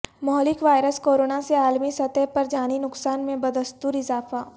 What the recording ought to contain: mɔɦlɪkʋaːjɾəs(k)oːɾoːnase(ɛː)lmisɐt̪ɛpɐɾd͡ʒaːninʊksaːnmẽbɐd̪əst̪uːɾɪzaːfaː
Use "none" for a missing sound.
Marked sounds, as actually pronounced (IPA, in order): k, aː

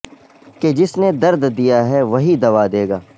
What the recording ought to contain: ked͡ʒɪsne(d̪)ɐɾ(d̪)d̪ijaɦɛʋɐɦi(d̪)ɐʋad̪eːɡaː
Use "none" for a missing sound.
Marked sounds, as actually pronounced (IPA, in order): d̪, d̪, d̪

